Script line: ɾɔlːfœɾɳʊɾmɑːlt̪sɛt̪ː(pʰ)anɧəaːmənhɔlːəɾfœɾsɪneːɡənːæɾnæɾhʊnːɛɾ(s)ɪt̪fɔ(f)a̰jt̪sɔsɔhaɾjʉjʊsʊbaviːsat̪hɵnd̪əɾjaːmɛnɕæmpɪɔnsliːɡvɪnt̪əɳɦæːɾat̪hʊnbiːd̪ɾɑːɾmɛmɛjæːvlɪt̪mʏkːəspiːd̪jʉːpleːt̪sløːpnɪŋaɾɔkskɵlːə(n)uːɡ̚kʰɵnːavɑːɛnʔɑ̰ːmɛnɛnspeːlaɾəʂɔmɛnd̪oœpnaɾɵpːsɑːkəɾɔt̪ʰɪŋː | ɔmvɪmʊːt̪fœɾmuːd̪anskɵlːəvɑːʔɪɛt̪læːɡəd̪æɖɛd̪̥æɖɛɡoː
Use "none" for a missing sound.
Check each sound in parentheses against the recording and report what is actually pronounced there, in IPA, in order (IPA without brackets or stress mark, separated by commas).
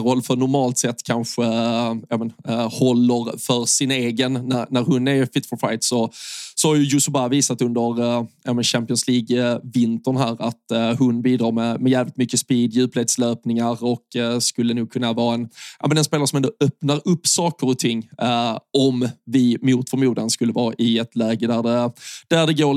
kʰ, f, f, n